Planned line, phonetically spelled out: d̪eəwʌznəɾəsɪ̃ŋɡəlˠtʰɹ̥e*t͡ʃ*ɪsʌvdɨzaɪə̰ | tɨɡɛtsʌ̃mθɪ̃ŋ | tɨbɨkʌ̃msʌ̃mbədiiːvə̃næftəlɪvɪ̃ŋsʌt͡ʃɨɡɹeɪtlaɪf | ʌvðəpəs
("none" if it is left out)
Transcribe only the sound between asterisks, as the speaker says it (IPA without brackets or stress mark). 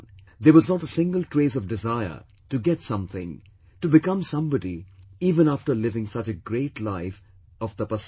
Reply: none